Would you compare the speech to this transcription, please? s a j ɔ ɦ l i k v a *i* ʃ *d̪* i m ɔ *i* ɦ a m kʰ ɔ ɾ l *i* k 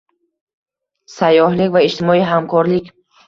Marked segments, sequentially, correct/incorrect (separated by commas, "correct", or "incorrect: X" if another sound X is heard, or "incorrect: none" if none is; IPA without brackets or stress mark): correct, incorrect: t̪, correct, correct